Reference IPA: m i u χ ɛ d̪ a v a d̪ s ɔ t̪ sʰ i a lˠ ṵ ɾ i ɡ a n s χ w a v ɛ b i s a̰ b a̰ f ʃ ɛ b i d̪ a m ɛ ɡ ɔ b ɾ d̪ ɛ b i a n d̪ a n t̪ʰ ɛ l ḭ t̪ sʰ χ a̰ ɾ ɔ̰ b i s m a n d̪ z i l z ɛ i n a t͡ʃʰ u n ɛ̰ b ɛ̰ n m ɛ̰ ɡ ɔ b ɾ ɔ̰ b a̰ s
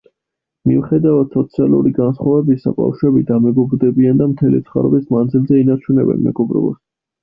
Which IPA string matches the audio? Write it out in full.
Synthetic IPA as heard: m i u χ ɛ d̪ a v a d̪ s ɔ t̪ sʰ i a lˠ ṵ ɾ i ɡ a n s χ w a v ɛ b i s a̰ b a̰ f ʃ ɛ b i d̪ a m ɛ ɡ ɔ b ɾ d̪ ɛ b i a n d̪ a m t̪ʰ ɛ l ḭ t̪ sʰ χ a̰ ɾ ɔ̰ b i s m a n d̪ z i l z ɛ i n a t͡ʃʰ u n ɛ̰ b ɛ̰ n m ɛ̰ ɡ ɔ b ɾ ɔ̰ b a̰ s

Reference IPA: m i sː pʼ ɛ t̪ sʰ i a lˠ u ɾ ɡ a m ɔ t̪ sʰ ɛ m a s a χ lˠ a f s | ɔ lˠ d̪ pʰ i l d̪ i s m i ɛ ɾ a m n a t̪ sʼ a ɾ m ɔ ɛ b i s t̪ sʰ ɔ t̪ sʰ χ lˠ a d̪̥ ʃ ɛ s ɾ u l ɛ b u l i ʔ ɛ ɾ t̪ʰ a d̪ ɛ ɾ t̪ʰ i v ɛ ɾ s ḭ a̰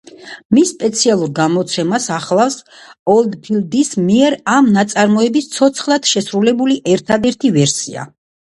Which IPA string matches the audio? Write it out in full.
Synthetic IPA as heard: m i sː pʼ ɛ t̪ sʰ i a lˠ u ɾ ɡ a m ɔ t̪ sʰ ɛ m a s a χ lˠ a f s | ɔ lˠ d̪ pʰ i l d̪ i s m i ɛ ɾ a m n a t̪ sʼ a ɾ m ɔ ɛ b i s t̪ sʰ ɔ t̪ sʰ χ lˠ a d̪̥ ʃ ɛ s ɾ u l ɛ b u l i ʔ ɛ ɾ t̪ʰ a d̪ ɛ ɾ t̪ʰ i v ɛ ɾ s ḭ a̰

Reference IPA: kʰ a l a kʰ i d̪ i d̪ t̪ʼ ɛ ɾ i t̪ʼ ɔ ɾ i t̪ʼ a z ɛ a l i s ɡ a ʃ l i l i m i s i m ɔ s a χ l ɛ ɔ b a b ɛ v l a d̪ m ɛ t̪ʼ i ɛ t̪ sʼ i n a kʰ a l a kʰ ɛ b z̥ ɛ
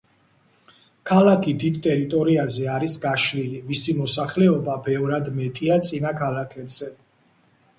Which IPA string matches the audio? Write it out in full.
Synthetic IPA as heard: kʰ a l a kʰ i d̪ i d̪ t̪ʼ ɛ ɾ i t̪ʼ ɔ ɾ i a z ɛ a ɾ i s ɡ a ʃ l i l i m i s i m ɔ s a χ l ɛ ɔ b a b ɛ v ɾ a d̪ m ɛ t̪ʼ i a t̪ sʼ i n a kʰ a l a kʰ ɛ b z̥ ɛ

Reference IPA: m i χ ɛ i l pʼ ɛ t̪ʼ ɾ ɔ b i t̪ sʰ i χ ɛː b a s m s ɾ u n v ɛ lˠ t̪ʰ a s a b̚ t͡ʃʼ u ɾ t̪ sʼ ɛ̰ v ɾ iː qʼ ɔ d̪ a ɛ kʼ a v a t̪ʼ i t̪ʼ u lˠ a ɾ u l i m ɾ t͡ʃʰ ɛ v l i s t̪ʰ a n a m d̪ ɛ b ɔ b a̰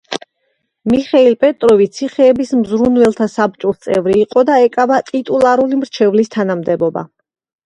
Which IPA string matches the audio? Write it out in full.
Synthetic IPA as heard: m i χ ɛ i l pʼ ɛ t̪ʼ ɾ ɔ v i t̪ sʰ i χ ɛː b i s m z ɾ u n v ɛ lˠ t̪ʰ a s a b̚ t͡ʃʼ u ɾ t̪ sʼ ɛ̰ v ɾ iː qʼ ɔ d̪ a ɛ kʼ a v a t̪ʼ i t̪ʼ u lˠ a ɾ u l i m ɾ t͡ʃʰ ɛ v l i s t̪ʰ a n a m d̪ ɛ b ɔ b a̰

